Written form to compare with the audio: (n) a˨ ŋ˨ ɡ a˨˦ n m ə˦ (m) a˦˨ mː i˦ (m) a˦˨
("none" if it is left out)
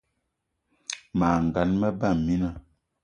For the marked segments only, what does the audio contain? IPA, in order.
m, b, n

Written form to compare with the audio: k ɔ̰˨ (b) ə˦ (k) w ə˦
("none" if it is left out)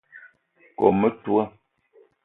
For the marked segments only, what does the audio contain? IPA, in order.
m, t

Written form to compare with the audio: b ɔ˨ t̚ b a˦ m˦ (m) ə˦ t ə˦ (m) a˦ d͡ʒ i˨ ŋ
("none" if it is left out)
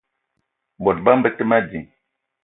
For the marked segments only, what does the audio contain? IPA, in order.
b, m

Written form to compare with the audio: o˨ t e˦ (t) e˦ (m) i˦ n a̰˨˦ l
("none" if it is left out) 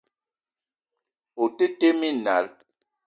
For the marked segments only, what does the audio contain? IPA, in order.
t, m

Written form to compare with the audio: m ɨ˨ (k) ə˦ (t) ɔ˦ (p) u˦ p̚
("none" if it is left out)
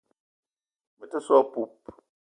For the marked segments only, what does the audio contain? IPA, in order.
t, s, p

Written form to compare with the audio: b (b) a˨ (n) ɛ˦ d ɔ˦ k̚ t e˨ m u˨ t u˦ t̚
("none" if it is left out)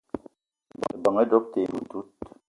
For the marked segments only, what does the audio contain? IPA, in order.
b, ŋ

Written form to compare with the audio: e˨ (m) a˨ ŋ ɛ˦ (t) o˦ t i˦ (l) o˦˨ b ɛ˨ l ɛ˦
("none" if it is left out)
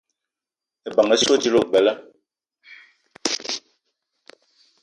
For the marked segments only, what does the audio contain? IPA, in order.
b, s, l

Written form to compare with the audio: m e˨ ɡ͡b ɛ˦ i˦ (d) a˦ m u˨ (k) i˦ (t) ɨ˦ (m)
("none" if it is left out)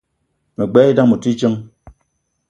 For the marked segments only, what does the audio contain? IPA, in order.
d, t, t͡ʃ, ŋ

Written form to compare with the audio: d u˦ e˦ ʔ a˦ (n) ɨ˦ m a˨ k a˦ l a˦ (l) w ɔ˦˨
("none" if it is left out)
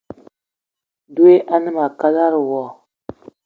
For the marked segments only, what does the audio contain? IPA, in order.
n, ɾ

